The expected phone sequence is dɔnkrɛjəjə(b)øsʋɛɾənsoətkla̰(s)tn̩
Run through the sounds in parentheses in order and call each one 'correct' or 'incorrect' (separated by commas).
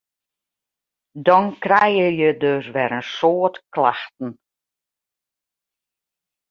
incorrect, incorrect